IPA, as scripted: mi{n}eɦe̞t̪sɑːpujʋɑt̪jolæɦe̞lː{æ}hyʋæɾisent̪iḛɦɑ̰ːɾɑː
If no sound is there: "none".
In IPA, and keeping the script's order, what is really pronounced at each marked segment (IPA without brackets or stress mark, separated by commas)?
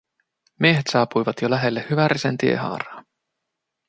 none, e